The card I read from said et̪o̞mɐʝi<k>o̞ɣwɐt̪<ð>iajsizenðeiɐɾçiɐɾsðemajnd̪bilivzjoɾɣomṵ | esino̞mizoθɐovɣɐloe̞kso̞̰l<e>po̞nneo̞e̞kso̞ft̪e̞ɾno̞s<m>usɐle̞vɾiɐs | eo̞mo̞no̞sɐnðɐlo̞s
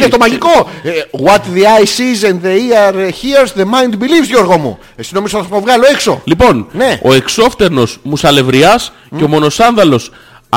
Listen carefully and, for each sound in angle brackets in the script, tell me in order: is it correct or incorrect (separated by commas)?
correct, correct, incorrect, correct